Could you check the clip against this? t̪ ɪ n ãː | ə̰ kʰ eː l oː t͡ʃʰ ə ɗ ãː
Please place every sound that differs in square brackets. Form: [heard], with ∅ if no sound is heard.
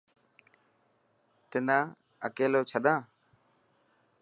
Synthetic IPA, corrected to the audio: t̪ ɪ n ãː | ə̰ [k] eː l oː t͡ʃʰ ə ɗ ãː